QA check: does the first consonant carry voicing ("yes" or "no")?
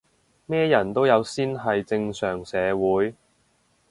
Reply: yes